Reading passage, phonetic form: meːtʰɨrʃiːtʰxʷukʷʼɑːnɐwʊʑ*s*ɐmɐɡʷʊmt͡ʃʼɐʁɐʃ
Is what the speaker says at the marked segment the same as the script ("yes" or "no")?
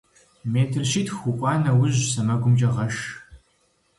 yes